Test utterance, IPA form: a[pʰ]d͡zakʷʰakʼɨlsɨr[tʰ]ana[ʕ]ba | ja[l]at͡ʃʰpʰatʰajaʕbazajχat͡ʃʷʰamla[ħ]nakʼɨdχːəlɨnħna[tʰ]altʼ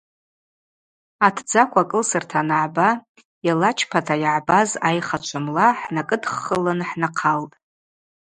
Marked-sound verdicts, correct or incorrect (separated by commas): incorrect, correct, correct, correct, correct, incorrect